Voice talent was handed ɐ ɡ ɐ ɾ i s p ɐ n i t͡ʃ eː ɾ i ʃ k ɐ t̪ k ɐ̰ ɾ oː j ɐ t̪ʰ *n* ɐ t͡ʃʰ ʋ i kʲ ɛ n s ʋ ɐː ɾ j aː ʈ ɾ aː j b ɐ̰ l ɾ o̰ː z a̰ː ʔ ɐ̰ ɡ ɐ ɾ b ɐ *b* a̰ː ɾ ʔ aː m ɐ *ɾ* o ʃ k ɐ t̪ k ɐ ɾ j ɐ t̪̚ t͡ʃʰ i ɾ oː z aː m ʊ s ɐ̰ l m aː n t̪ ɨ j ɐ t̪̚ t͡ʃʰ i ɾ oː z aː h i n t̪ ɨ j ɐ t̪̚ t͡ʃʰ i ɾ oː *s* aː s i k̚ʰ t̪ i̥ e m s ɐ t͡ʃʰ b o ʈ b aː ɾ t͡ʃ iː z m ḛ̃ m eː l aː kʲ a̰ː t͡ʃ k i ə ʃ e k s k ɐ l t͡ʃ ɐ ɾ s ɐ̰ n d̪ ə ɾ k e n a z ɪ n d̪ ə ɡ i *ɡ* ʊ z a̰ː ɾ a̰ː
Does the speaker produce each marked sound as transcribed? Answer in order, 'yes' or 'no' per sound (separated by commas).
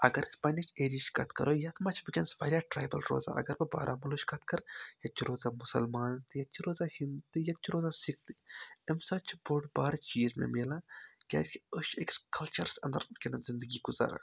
no, yes, no, no, yes